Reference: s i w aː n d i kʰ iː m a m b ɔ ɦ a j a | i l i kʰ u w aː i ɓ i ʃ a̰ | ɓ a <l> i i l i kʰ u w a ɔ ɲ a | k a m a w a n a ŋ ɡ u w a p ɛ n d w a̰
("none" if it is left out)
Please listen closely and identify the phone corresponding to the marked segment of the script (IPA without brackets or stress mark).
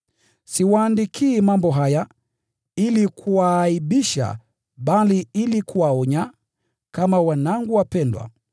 l